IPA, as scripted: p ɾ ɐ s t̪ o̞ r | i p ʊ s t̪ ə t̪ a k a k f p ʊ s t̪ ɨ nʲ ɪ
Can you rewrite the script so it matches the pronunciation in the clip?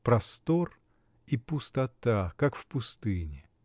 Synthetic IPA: p ɾ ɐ s t̪ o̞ r | i p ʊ s t̪ ɐ t̪ a k a k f p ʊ s t̪ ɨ nʲ ɪ